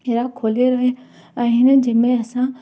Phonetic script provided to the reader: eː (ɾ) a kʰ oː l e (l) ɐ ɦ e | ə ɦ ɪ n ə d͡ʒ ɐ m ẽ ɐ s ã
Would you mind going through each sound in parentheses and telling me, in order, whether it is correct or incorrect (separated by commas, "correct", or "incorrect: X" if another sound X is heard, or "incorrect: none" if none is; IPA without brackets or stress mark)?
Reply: correct, incorrect: ɾ